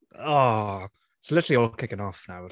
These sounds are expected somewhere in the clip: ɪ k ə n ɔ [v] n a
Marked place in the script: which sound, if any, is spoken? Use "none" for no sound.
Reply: f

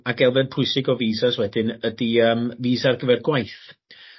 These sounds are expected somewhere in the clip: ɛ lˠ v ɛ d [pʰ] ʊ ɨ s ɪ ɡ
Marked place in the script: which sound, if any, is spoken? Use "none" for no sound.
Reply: pʰ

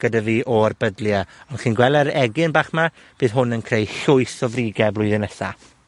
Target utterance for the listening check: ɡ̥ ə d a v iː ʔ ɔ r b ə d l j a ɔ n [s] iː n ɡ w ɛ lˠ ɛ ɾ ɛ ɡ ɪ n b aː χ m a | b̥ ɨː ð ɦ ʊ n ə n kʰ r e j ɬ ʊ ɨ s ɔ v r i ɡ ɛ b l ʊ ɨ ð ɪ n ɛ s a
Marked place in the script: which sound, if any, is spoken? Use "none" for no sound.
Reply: χ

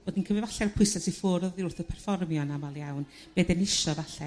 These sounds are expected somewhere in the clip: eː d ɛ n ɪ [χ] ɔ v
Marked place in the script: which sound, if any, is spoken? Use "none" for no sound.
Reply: ʃ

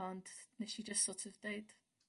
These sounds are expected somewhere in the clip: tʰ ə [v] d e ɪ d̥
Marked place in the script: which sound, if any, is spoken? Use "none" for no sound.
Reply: v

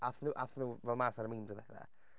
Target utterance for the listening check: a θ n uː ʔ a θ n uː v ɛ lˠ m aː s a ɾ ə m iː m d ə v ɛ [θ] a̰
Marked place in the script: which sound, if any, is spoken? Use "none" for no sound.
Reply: θ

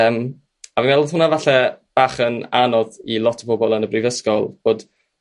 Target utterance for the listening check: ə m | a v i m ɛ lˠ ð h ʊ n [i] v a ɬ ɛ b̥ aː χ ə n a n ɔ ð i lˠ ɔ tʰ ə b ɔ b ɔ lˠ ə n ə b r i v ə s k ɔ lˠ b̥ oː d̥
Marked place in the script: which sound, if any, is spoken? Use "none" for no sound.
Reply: a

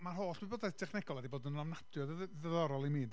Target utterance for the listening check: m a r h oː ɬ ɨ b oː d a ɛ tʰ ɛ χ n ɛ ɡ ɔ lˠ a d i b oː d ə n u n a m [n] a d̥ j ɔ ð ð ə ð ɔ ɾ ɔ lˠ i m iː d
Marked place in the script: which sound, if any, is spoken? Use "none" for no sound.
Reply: n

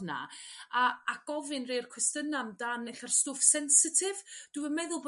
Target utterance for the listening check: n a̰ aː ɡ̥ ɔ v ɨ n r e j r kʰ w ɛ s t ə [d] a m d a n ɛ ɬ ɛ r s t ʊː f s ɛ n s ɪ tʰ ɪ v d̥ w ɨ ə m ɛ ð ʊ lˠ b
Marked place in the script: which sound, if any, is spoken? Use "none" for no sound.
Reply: n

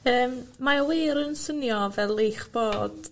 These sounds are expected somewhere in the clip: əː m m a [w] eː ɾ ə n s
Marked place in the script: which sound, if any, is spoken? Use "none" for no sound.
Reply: w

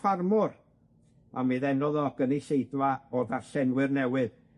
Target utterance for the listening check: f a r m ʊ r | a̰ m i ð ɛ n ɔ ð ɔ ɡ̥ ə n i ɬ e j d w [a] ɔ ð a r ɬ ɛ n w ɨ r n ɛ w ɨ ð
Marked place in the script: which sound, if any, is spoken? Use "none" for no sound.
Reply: a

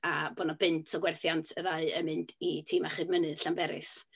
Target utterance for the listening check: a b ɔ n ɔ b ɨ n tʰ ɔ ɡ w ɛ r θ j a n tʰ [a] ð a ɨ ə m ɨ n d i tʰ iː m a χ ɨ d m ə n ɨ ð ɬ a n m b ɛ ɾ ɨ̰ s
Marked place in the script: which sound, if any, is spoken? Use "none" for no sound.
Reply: ə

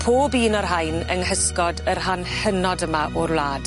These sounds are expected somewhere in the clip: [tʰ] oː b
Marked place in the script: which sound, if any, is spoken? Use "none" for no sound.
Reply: pʰ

